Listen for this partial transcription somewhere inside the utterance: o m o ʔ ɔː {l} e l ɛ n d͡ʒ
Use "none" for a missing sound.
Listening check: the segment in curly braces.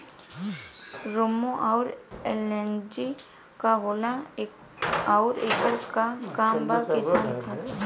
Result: ɾ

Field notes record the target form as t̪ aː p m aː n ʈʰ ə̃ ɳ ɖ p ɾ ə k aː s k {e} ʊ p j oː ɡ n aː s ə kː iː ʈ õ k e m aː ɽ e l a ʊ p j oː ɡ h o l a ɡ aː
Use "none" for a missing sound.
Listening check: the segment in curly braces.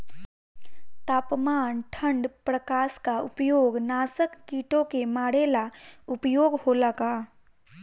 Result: a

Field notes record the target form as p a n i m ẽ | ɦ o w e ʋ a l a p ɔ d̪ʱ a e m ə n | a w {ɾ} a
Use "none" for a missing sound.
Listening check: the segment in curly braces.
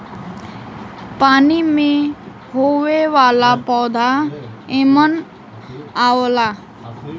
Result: l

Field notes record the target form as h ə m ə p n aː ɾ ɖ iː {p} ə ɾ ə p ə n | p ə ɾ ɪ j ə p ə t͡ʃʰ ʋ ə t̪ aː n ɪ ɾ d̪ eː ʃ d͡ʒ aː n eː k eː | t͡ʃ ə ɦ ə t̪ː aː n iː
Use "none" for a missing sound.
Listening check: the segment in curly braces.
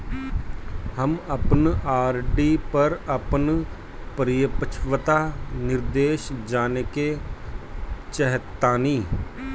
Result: p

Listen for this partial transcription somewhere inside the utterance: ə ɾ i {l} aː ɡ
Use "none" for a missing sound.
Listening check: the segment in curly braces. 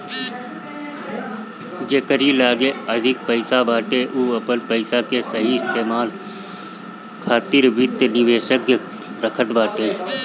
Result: l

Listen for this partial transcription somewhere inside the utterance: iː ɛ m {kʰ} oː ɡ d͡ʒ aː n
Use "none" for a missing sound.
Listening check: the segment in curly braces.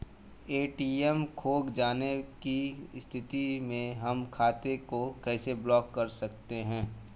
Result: kʰ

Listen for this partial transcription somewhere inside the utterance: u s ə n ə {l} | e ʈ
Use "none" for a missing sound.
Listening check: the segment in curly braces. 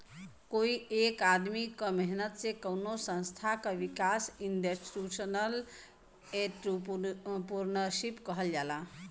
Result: l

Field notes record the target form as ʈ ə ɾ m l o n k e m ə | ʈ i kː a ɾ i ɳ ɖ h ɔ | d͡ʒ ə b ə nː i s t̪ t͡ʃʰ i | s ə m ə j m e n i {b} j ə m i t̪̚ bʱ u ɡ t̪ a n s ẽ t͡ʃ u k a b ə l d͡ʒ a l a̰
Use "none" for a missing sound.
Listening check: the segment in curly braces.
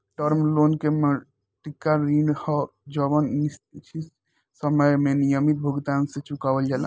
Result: none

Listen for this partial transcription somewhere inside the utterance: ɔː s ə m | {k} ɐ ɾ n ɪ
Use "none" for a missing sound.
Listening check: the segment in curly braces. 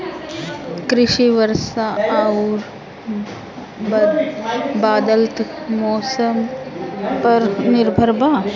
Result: p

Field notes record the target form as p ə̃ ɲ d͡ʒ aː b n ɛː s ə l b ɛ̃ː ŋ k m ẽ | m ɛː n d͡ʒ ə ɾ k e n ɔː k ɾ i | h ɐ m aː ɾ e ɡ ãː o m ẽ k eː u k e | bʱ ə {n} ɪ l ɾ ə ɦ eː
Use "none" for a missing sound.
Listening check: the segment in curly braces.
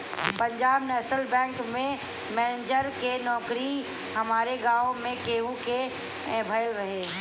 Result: none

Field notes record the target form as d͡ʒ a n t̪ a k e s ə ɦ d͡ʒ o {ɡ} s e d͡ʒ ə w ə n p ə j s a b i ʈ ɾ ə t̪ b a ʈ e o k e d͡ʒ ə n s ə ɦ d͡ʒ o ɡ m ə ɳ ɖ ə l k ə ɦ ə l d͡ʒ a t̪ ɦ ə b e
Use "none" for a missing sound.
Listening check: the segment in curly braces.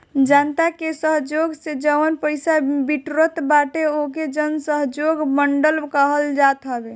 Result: ɡ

